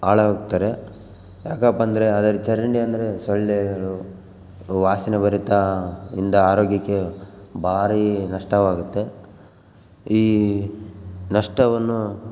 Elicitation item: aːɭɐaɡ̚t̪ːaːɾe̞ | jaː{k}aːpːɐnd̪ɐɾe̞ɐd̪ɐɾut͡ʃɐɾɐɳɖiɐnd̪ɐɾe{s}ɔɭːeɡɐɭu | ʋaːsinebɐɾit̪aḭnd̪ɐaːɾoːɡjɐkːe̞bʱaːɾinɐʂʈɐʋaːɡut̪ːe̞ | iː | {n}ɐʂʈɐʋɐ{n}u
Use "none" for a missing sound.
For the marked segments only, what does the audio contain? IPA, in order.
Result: k, s, n, nː

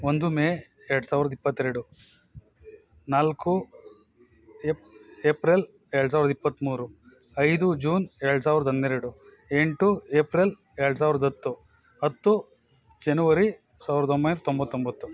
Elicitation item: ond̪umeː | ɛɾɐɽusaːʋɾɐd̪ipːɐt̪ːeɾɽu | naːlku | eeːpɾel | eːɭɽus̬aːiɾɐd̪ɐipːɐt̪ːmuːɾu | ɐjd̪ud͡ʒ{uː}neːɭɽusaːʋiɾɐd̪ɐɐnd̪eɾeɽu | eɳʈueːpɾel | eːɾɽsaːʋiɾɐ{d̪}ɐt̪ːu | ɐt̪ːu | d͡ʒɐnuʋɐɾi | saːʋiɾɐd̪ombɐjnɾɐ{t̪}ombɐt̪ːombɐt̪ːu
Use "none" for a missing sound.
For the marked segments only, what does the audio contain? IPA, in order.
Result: uː, d̪, t̪

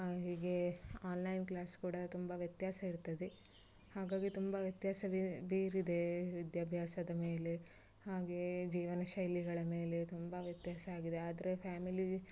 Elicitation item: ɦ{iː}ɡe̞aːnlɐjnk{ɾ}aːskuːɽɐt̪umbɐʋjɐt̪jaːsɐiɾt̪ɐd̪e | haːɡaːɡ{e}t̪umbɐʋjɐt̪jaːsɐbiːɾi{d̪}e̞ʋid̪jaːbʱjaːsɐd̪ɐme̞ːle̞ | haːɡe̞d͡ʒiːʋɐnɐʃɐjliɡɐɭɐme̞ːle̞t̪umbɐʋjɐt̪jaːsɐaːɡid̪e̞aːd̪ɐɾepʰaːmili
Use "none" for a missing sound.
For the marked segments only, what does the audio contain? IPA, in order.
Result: iː, l, i, d̪

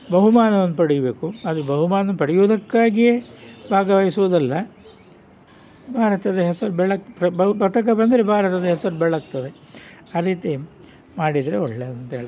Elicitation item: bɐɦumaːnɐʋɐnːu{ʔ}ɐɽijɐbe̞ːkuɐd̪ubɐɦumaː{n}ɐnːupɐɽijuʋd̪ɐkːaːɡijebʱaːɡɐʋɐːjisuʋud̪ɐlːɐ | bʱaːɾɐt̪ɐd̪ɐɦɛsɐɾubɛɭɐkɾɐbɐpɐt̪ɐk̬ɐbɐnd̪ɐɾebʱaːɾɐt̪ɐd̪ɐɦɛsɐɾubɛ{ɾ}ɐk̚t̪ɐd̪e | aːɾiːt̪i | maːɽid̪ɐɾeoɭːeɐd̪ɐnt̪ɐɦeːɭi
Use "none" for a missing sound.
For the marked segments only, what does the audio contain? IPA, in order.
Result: p, n, ɭ

